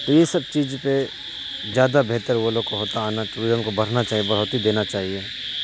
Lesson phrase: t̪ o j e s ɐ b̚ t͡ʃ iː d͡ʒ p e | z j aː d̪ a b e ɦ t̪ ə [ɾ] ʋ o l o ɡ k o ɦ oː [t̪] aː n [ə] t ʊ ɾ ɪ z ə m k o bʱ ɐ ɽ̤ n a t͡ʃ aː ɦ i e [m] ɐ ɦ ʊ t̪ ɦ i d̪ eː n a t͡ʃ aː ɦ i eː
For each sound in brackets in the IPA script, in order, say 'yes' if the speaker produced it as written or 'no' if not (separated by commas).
yes, yes, no, no